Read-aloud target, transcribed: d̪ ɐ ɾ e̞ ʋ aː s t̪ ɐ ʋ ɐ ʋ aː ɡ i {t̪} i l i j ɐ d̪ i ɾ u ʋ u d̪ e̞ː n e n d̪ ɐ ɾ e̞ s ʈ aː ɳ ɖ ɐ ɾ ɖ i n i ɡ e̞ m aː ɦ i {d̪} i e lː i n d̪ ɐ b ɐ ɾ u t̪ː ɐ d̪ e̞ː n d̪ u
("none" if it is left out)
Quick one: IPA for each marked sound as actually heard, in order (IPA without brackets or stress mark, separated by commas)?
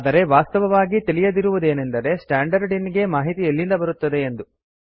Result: t̪, t̪